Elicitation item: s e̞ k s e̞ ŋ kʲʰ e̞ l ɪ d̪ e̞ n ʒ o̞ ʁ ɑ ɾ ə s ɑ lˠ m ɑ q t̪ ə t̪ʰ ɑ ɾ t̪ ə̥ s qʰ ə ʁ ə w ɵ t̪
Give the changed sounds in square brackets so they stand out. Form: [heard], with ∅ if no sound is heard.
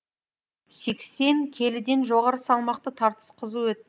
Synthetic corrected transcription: s e̞ k s e̞ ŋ kʲʰ e̞ l ɪ d̪ e̞ n ʒ o̞ ʁ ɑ ɾ ə s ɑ lˠ m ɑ q t̪ ə t̪ʰ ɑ ɾ t̪ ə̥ s qʰ ə [z] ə w ɵ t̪